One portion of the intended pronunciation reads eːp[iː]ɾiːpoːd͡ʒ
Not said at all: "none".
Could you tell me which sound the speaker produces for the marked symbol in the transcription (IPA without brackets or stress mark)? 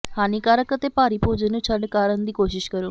aː